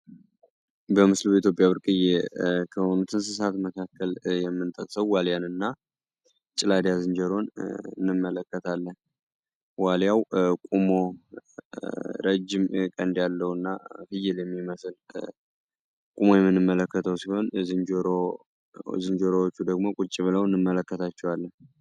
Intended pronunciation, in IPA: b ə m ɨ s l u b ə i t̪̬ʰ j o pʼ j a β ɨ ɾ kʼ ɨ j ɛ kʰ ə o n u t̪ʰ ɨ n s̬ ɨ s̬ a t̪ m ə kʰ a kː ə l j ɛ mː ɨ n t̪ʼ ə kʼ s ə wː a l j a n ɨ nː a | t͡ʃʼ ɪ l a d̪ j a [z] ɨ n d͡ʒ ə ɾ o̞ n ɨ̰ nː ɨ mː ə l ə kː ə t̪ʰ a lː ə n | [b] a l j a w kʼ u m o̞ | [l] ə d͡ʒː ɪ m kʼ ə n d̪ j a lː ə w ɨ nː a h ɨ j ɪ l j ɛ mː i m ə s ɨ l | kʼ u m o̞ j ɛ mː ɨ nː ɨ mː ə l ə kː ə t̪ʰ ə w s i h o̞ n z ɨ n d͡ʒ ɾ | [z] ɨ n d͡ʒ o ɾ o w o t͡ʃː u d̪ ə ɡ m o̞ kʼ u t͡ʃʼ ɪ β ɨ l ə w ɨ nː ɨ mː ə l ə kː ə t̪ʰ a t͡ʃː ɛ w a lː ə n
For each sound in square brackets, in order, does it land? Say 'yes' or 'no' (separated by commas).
yes, no, no, yes